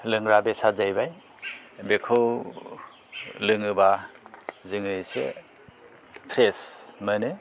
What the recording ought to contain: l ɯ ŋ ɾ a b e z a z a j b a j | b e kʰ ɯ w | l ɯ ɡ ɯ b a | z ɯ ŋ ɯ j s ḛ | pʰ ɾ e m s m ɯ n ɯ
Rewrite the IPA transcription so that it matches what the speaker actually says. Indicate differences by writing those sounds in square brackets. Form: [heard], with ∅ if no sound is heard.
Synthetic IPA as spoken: l ɯ ŋ ɾ a b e [s] a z a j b a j | b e kʰ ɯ w | l ɯ [ŋ] ɯ b a | z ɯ ŋ ɯ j s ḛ | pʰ ɾ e [∅] s m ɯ n ɯ